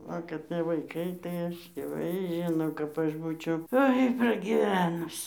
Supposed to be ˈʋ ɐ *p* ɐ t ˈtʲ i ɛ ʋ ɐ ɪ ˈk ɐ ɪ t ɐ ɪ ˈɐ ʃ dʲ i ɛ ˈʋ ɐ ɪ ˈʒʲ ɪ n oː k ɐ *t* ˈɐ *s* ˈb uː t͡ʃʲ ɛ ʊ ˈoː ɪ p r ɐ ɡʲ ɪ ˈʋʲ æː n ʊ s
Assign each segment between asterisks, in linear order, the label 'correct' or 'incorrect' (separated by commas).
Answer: incorrect, incorrect, incorrect